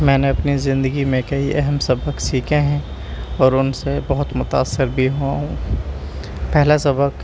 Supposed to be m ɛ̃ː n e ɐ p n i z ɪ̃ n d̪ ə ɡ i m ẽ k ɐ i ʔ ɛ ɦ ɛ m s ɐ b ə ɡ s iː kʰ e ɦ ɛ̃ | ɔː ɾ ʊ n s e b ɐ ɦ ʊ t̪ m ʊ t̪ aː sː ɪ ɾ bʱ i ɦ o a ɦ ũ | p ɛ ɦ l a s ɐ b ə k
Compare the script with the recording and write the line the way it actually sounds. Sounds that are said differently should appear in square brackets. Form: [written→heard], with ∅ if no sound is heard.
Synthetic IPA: m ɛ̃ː n e ɐ p n i z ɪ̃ n d̪ ə ɡ i m ẽ k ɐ i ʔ ɛ ɦ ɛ m s ɐ b ə [ɡ→k] s iː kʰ e ɦ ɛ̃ | ɔː ɾ ʊ n s e b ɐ ɦ ʊ t̪ m ʊ t̪ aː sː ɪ ɾ bʱ i ɦ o a ɦ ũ | p ɛ ɦ l a s ɐ b ə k